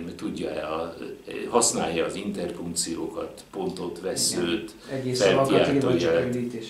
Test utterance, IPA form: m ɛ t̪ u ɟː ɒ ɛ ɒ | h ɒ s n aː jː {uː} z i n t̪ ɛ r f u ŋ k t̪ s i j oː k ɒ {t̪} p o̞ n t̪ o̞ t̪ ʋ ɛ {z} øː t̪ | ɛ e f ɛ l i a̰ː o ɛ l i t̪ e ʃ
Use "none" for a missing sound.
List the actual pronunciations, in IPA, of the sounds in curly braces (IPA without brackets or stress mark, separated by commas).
ɒː, t̪, s